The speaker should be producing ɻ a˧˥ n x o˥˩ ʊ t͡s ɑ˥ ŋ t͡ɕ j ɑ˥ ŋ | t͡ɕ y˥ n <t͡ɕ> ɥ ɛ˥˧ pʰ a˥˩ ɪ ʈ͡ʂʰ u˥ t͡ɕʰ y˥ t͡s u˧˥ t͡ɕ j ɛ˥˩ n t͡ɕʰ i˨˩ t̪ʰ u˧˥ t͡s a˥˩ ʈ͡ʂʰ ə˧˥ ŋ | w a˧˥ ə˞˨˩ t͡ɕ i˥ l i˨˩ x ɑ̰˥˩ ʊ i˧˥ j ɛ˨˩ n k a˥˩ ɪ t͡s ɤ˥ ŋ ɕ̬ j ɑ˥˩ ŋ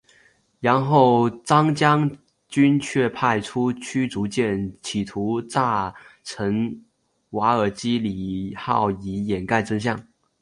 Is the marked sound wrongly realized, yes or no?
yes